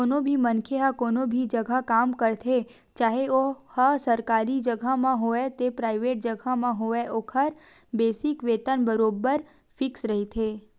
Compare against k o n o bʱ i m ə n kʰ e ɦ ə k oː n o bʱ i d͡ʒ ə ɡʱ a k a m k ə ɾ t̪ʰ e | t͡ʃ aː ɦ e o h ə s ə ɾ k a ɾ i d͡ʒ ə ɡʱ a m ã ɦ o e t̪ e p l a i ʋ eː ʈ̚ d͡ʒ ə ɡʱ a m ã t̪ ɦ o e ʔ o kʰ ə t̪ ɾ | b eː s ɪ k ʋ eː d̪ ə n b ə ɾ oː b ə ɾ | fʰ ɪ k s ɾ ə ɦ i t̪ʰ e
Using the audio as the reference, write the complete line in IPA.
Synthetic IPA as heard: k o n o bʱ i m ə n kʰ e ɦ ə k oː n o bʱ i d͡ʒ ə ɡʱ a k a m k ə ɾ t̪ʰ e | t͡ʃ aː ɦ e o h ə s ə ɾ k a ɾ i d͡ʒ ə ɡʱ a m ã ɦ o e t̪ e p ɾ a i ʋ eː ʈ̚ d͡ʒ ə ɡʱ a m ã ɦ o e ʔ o kʰ ə ɾ | b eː s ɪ k ʋ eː t̪ ə n b ə ɾ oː b ə ɾ | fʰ ɪ k s ɾ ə ɦ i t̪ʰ e